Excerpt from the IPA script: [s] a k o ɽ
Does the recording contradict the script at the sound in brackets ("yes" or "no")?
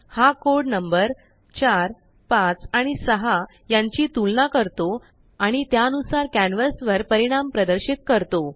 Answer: yes